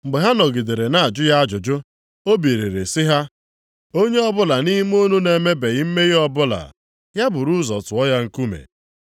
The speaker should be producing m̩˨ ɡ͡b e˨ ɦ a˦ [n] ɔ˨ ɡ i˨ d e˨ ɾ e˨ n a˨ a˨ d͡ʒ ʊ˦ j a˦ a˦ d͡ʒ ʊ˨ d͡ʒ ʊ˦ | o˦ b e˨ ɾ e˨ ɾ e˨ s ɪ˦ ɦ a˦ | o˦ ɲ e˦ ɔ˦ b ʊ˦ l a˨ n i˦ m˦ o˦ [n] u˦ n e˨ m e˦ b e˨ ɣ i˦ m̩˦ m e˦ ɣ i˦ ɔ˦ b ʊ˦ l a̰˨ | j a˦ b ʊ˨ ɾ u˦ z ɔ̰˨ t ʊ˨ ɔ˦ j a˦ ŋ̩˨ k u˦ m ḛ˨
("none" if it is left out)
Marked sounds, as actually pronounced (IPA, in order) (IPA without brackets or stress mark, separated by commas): n, n